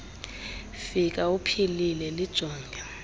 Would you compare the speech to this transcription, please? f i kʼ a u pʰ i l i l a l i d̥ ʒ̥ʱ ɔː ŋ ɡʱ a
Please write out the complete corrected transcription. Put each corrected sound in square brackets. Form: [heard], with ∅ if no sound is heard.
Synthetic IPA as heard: f i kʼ a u pʰ i l i l [ɛ] l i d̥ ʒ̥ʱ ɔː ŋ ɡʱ a